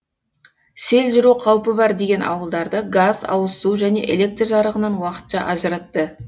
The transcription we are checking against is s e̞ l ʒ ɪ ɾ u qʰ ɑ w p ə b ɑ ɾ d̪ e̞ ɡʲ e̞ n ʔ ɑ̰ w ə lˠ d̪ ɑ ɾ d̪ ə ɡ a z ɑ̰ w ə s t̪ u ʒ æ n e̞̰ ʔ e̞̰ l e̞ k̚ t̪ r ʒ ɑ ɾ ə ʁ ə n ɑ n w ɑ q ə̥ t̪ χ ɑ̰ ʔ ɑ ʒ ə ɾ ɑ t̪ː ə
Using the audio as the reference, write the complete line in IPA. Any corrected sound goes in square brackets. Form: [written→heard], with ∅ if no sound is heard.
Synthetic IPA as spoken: s e̞ l ʒ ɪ ɾ u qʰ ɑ w p ə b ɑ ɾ d̪ e̞ ɡʲ e̞ n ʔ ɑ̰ w ə lˠ d̪ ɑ ɾ d̪ ə ɡ a z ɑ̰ w ə s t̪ u ʒ æ n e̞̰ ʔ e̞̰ l e̞ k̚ t̪ r ʒ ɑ ɾ ə ʁ ə n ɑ n w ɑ q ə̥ t̪ [χ→ʃ] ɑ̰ ʔ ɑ ʒ ə ɾ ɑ t̪ː ə

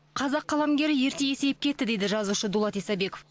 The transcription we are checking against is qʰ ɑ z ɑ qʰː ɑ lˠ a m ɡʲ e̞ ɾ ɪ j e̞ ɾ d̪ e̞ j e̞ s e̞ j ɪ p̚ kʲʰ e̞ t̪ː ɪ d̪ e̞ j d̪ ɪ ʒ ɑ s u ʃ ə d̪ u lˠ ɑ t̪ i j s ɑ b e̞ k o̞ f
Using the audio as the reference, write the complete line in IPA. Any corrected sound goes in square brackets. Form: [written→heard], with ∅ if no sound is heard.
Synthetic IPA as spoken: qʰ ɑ z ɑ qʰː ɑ lˠ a m ɡʲ e̞ ɾ ɪ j e̞ ɾ [d̪→t̪] e̞ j e̞ s e̞ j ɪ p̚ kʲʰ e̞ t̪ː ɪ d̪ e̞ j d̪ ɪ ʒ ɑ [s→z] u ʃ ə d̪ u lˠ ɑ t̪ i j s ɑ b e̞ k o̞ f

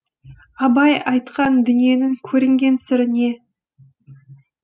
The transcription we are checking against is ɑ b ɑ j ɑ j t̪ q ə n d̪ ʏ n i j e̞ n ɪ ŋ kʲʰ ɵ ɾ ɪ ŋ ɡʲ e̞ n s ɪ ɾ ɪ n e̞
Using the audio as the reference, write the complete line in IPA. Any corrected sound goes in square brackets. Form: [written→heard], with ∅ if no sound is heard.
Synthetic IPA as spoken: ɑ b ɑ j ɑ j t̪ q [ə→ɑ] n d̪ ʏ n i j e̞ n ɪ ŋ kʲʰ ɵ ɾ ɪ ŋ ɡʲ e̞ n s ɪ ɾ ɪ n e̞

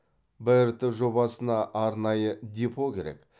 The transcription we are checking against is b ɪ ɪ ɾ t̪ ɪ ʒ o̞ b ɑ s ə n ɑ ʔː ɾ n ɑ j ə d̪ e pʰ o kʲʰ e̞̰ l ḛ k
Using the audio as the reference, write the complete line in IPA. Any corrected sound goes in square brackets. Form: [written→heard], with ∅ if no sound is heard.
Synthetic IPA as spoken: b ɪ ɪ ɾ t̪ ɪ ʒ o̞ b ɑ s ə n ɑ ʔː ɾ n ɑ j ə d̪ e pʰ o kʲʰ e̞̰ [l→ɾ] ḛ k

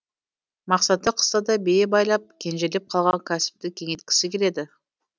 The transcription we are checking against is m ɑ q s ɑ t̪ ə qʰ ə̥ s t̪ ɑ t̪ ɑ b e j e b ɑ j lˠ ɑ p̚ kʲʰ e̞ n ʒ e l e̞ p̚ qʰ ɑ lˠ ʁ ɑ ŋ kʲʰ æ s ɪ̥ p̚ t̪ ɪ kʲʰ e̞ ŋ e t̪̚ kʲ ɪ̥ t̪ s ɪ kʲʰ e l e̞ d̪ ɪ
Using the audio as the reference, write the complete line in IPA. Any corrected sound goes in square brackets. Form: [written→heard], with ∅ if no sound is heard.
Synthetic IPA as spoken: m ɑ q s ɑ t̪ ə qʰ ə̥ s t̪ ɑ [t̪→d̪] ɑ b e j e b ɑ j lˠ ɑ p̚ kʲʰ e̞ n ʒ e l e̞ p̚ qʰ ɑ lˠ ʁ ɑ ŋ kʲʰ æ s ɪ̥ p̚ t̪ ɪ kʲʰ e̞ ŋ e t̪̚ kʲ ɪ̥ [t̪→∅] s ɪ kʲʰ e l e̞ d̪ ɪ

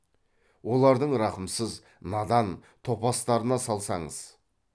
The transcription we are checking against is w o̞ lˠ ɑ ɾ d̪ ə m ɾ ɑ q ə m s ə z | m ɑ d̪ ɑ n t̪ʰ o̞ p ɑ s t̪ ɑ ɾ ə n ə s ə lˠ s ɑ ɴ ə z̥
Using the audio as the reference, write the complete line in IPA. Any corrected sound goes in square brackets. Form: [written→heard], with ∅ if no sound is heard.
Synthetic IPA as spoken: w o̞ lˠ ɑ ɾ d̪ ə [m→ɴ] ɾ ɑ q ə m s ə z | [m→n] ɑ d̪ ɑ n t̪ʰ o̞ p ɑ s t̪ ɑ ɾ ə n [ə→ɑ] s [ə→ɑ] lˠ s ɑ ɴ ə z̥

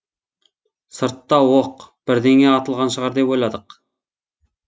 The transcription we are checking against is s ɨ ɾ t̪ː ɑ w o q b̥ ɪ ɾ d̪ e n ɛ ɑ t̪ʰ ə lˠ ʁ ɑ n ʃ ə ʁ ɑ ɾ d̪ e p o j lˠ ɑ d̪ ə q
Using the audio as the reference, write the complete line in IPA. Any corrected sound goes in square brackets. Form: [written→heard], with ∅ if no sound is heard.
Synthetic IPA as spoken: s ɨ ɾ t̪ː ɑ w o q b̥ ɪ ɾ d̪ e [n→ŋ] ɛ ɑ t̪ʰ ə lˠ ʁ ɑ n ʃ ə ʁ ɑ ɾ d̪ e p o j lˠ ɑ d̪ ə q

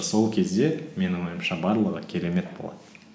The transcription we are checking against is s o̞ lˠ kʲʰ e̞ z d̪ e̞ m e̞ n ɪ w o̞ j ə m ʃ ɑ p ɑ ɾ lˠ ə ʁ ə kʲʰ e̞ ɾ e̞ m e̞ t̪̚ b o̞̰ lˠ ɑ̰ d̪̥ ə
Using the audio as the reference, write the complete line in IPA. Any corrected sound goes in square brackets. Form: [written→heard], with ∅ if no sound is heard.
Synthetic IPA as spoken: s o̞ lˠ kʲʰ e̞ z d̪ e̞ m e̞ n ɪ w o̞ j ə m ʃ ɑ [p→b] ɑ ɾ lˠ ə ʁ ə kʲʰ e̞ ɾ e̞ m e̞ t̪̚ b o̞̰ lˠ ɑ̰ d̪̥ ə

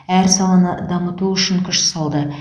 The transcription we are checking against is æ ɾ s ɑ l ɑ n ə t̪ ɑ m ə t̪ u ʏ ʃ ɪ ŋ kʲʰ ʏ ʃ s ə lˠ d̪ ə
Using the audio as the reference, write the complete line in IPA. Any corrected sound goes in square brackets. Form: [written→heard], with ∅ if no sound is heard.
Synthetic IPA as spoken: æ ɾ s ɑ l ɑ n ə [t̪→d̪] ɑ m ə t̪ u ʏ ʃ ɪ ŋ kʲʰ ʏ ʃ s [ə→ɑ] lˠ d̪ ə

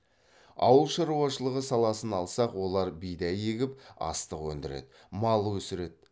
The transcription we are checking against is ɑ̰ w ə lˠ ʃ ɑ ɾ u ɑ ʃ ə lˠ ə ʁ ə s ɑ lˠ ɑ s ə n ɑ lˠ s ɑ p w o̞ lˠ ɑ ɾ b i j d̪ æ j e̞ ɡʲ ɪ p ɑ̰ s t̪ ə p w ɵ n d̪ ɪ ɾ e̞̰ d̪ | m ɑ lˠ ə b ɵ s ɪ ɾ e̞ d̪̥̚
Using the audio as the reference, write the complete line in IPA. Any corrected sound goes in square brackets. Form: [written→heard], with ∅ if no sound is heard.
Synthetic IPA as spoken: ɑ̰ w ə lˠ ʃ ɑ ɾ u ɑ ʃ ə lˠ ə ʁ ə s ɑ lˠ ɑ s ə n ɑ lˠ s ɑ [p→q] w o̞ lˠ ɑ ɾ b i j d̪ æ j e̞ ɡʲ ɪ p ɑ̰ s t̪ ə [p→q] w ɵ n d̪ ɪ ɾ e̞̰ d̪ | m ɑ lˠ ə [b→w] ɵ s ɪ ɾ e̞ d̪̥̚

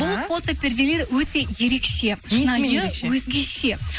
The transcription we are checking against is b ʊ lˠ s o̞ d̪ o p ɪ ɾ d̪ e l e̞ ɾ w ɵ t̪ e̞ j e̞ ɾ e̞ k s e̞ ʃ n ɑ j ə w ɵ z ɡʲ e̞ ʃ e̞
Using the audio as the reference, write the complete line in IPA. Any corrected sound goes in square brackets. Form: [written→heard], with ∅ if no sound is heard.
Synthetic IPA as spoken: b ʊ lˠ [s→f] o̞ [d̪→t̪] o p ɪ ɾ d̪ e l e̞ ɾ w ɵ t̪ e̞ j e̞ ɾ e̞ k [s→ʃ] e̞ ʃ n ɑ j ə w ɵ z ɡʲ e̞ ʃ e̞

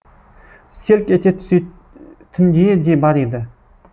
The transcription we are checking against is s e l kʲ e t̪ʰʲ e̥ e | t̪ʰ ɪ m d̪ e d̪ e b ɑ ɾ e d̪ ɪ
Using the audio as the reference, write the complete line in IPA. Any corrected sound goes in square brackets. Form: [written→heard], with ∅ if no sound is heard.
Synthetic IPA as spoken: s e l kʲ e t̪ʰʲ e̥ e | t̪ʰ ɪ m d̪ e d̪ e b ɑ ɾ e d̪ ɪ

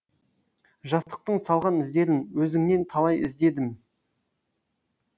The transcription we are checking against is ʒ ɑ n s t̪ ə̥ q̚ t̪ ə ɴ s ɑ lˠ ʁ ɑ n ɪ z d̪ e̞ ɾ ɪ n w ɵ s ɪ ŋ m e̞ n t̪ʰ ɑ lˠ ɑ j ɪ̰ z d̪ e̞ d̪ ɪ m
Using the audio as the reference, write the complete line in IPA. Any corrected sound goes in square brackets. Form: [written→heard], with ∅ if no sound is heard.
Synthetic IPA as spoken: ʒ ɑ [n→∅] s t̪ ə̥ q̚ t̪ ə ɴ s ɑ lˠ ʁ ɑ n ɪ z d̪ e̞ ɾ ɪ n w ɵ [s→z] ɪ ŋ [m→n] e̞ n t̪ʰ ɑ lˠ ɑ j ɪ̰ z d̪ e̞ d̪ ɪ m

